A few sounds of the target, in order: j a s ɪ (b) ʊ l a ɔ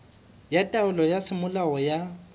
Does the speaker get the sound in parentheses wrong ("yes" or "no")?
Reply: yes